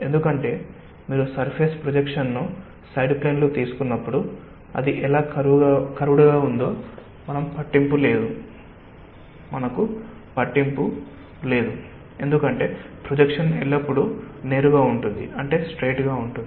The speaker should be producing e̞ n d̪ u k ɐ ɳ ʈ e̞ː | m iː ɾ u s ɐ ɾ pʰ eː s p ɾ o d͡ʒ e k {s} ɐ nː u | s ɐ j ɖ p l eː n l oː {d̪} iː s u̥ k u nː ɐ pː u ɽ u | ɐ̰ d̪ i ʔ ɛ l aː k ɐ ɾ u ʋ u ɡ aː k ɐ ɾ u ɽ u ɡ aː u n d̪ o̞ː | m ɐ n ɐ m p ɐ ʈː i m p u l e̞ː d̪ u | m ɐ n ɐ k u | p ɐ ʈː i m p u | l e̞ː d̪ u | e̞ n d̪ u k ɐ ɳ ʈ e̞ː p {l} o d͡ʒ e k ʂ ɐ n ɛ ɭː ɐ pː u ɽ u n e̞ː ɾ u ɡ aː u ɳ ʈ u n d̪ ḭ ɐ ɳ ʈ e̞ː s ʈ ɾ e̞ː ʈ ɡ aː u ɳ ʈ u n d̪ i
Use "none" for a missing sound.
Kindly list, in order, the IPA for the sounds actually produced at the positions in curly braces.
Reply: ʂ, t̪, ɾ

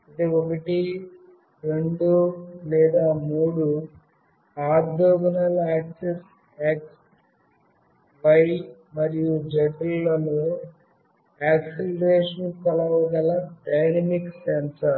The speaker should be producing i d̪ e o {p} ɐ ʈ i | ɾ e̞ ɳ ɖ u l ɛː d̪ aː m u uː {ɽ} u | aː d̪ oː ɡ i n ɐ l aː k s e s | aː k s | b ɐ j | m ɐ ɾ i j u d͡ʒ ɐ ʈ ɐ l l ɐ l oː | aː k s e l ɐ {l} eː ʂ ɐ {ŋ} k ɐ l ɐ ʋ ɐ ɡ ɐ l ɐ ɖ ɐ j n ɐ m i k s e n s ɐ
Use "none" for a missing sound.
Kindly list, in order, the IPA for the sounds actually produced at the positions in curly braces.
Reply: k, ɽ, ɾ, n

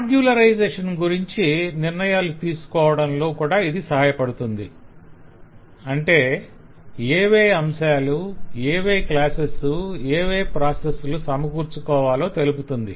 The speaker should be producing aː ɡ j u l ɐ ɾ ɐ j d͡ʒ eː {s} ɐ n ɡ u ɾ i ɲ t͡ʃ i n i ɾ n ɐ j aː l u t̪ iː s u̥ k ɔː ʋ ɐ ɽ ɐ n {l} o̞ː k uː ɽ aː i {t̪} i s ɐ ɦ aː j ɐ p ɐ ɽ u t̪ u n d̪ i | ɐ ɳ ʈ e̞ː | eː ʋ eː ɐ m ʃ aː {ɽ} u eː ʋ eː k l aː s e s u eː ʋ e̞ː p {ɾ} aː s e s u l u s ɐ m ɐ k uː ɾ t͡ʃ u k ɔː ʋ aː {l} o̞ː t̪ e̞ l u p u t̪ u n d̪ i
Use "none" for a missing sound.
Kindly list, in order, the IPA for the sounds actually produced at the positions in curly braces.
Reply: ʂ, l, d̪, l, ɾ, l

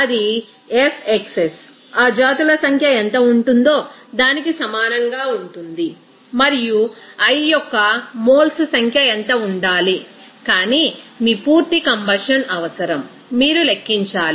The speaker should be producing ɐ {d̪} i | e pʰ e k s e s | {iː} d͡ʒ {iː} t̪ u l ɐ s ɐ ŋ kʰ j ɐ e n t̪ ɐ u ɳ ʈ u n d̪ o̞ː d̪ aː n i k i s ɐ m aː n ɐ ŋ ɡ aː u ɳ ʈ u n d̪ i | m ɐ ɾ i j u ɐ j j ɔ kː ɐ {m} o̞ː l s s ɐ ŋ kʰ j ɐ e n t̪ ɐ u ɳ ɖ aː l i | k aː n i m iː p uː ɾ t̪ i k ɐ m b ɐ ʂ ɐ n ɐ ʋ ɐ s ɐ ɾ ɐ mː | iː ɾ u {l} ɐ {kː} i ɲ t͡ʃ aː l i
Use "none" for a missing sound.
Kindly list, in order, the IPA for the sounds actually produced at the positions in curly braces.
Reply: d̪, aː, aː, m, l, kː

